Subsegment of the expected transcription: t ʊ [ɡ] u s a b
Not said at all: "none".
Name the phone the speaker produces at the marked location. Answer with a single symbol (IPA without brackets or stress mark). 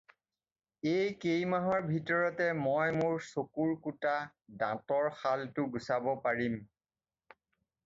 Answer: ɡ